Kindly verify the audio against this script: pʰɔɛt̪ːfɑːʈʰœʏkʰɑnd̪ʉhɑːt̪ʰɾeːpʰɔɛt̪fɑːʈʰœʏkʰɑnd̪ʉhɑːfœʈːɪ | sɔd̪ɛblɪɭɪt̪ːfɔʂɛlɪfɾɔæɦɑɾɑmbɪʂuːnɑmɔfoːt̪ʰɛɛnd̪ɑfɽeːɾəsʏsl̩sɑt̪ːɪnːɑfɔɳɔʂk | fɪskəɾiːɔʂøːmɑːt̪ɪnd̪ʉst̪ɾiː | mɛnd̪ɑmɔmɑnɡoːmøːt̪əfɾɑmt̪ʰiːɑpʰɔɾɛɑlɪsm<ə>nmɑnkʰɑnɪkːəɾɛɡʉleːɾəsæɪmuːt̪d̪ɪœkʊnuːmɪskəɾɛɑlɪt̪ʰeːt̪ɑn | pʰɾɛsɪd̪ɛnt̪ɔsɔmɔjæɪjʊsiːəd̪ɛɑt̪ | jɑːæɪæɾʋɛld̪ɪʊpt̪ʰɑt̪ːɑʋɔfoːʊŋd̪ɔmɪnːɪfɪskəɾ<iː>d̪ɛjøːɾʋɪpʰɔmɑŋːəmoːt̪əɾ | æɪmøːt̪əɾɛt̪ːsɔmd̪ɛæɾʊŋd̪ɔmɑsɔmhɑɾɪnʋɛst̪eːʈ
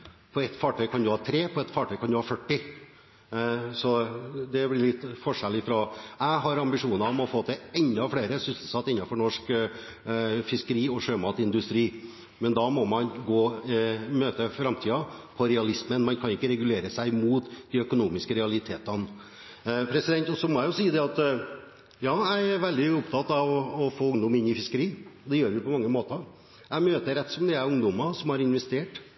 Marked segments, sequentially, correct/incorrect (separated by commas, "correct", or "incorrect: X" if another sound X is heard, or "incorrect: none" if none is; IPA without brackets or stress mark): correct, correct